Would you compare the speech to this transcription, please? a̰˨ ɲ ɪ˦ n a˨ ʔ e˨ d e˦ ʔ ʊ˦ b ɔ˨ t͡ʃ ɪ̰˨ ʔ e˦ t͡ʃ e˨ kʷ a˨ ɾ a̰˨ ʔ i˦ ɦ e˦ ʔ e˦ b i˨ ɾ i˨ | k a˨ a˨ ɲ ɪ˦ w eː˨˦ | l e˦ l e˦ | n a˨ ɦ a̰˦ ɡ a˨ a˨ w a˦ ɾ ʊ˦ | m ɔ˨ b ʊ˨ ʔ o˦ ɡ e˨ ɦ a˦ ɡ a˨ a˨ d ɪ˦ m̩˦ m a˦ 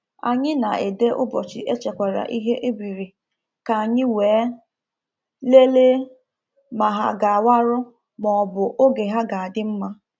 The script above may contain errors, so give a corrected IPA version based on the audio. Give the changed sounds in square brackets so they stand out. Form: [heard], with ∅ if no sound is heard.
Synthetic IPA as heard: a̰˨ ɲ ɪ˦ n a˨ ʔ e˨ d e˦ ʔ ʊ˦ b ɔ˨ t͡ʃ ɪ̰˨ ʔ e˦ t͡ʃ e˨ kʷ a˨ ɾ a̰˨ ʔ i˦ ɦ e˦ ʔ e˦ b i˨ ɾ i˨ | k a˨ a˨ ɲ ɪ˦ w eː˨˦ | l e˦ l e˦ | [m] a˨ ɦ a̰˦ ɡ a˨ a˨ w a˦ ɾ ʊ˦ | m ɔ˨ b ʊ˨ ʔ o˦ ɡ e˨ ɦ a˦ ɡ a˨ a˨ d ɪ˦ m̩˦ m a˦